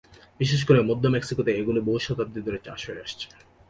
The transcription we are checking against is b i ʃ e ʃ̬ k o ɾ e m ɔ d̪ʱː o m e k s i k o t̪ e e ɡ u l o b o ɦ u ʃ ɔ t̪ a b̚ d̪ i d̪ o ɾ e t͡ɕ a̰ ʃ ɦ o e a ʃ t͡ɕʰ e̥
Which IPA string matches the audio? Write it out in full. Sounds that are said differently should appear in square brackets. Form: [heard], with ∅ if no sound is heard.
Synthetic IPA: b i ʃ e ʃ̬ k o ɾ e m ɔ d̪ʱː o m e k s i k o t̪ e e ɡ u l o b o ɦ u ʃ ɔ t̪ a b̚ d̪ i d̪ o ɾ e t͡ɕ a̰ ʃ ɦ o e a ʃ t͡ɕʰ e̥